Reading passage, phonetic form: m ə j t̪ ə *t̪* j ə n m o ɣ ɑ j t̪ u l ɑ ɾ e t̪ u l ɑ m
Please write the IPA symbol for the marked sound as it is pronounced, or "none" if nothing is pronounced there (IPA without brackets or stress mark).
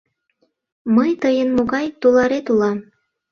none